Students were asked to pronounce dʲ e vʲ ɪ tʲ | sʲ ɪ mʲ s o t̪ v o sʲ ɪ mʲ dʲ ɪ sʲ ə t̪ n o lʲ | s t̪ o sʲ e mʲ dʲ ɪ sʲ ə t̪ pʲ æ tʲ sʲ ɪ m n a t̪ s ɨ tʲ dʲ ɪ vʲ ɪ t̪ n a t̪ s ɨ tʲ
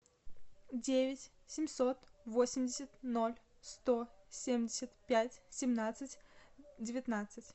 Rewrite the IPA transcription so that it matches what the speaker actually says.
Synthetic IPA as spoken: dʲ e vʲ ɪ tʲ | sʲ ɪ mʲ s o t̪ v o sʲ ɪ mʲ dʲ ɪ sʲ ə t̪ n o lʲ | s t̪ o sʲ e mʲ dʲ ɪ sʲ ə t̪ pʲ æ tʲ sʲ ɪ m n a t̪ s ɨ tʲ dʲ ɪ vʲ ɪ t̪ n a t̪ s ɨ tʲ